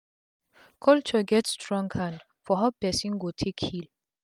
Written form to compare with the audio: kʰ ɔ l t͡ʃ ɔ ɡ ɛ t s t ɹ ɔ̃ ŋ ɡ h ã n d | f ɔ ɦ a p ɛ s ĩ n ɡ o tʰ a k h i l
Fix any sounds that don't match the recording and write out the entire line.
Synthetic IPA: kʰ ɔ l t͡ʃ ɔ ɡ ɛ t s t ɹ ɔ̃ ŋ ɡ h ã n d | f ɔ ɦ a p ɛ s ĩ n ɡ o tʰ e k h i l